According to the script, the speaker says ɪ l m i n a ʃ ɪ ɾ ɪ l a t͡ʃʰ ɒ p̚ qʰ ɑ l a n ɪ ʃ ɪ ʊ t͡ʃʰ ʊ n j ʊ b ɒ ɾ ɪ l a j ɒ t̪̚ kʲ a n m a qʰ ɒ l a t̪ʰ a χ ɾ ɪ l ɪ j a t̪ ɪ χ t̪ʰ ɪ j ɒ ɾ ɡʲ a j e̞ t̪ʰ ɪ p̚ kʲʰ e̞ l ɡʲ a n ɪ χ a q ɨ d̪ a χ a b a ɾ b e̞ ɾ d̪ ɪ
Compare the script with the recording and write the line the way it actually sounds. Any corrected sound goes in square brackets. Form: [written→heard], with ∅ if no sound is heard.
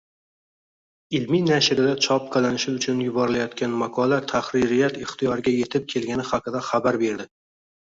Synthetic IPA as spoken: ɪ l m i n a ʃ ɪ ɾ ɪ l a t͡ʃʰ ɒ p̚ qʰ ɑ l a n ɪ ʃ ɪ ʊ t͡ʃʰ ʊ n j ʊ b ɒ ɾ ɪ l a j ɒ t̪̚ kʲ a n m a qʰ ɒ l a t̪ʰ a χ ɾ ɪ [l→ɾ] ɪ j a t̪ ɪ χ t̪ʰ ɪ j ɒ ɾ ɡʲ a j e̞ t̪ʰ ɪ p̚ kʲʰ e̞ l ɡʲ a n ɪ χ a q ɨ d̪ a χ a b a ɾ b e̞ ɾ d̪ ɪ